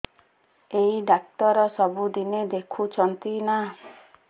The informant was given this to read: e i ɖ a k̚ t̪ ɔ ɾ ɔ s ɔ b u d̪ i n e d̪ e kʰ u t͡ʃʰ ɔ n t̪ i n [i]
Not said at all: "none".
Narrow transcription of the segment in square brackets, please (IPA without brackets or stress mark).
a